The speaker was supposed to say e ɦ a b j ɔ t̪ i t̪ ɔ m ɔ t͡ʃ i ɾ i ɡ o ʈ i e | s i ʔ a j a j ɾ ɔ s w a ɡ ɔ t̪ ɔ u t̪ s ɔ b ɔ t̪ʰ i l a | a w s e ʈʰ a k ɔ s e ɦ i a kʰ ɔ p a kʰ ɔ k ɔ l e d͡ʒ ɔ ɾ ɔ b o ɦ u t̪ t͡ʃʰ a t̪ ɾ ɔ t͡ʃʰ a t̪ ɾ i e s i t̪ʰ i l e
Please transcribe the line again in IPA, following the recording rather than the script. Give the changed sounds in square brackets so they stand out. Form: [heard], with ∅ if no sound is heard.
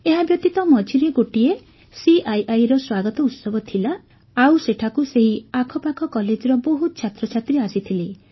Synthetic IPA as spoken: e ɦ a b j ɔ t̪ i t̪ ɔ m ɔ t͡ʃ i ɾ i ɡ o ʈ i e | s i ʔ a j a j ɾ ɔ s w a ɡ ɔ t̪ ɔ u t̪ s ɔ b ɔ t̪ʰ i l a | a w s e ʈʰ a k [u] s e ɦ i a kʰ ɔ p a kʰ ɔ k ɔ l e d͡ʒ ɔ ɾ ɔ b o ɦ u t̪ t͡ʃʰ a t̪ ɾ ɔ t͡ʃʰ a t̪ ɾ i [a] s i t̪ʰ i l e